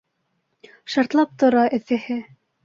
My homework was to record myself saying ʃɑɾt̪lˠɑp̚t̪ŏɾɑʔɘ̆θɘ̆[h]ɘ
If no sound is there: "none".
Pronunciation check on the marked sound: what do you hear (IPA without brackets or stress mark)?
h